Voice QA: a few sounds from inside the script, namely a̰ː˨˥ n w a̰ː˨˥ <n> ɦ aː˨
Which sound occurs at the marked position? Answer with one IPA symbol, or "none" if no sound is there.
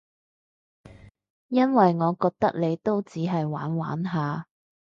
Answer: n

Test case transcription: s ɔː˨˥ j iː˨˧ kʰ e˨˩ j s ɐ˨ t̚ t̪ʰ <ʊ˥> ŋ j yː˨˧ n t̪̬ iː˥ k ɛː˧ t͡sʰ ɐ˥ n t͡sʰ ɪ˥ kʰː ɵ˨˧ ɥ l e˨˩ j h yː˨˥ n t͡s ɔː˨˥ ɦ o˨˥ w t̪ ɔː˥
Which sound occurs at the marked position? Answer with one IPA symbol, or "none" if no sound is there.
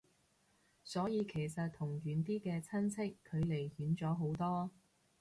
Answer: ʊ˨˩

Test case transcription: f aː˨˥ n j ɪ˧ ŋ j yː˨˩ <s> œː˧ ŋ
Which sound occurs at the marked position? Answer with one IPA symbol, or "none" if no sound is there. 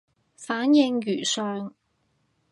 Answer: s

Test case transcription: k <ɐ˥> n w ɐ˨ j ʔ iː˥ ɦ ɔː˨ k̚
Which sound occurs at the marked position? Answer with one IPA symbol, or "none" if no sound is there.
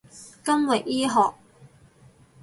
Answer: ɐ˥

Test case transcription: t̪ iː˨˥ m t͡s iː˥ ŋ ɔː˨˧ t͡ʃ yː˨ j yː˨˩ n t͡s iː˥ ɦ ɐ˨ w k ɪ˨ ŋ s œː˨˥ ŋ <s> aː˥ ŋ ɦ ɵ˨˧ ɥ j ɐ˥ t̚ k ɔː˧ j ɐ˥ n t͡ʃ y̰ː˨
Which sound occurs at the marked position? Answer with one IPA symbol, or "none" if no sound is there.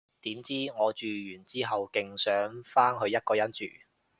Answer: f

